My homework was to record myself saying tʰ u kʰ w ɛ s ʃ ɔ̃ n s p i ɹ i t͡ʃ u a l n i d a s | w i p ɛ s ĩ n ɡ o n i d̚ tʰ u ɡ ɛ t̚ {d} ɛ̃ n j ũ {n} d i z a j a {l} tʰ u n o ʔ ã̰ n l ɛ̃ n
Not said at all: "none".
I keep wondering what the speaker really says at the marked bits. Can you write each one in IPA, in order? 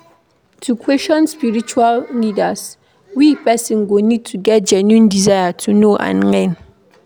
d͡ʒ, n, none

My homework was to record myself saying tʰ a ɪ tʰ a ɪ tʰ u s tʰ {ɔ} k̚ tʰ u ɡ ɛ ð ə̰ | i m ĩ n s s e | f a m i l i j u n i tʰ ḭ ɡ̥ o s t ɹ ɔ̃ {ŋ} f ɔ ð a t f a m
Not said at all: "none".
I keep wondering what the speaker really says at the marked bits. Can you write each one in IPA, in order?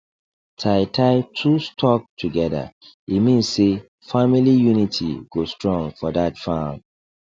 ɔ, ŋ

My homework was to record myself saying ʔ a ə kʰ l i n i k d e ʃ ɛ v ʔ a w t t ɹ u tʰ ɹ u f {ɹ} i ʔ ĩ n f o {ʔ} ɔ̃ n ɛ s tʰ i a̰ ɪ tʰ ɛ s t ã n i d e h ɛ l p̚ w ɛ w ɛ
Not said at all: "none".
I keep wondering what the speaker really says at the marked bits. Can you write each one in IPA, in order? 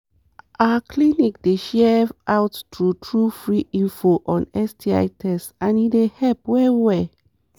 ɹ, ʔ

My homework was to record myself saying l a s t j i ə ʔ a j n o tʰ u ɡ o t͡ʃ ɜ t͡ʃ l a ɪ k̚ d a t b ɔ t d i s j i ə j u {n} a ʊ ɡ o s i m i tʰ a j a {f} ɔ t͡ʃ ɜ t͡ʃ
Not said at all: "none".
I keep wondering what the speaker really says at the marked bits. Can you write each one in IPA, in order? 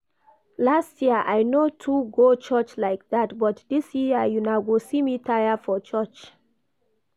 n, f

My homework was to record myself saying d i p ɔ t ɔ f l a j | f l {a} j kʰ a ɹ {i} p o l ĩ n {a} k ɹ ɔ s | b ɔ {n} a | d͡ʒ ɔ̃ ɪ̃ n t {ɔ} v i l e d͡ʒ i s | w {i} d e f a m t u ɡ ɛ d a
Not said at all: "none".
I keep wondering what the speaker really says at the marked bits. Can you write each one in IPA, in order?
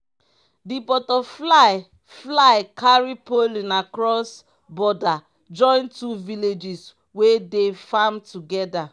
a, i, a, d, u, e

